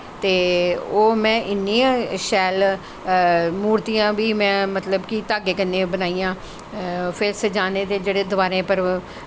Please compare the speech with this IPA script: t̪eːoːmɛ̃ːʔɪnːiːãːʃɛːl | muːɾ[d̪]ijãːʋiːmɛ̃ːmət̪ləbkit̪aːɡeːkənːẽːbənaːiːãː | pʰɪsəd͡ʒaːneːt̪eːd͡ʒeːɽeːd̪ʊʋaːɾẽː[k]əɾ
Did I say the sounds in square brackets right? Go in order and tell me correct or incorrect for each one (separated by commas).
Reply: incorrect, incorrect